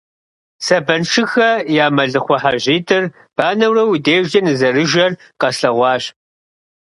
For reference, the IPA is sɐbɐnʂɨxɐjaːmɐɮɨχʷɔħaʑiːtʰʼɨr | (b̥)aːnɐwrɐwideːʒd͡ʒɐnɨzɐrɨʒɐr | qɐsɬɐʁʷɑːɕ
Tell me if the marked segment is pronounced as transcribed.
yes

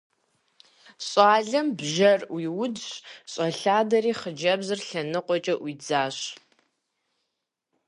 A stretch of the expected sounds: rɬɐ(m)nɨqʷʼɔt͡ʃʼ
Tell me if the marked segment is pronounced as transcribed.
no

